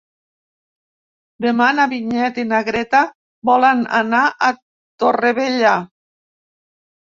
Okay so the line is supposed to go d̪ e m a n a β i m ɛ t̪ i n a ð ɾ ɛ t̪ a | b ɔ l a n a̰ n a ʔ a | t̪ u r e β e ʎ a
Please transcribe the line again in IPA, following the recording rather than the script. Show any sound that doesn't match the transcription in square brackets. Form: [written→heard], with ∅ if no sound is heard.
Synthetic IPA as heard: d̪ e m a n a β i [m→ɲ] ɛ t̪ i n a [ð→ɣ] ɾ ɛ t̪ a | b ɔ l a n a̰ n a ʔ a | t̪ [u→o] r e β e ʎ a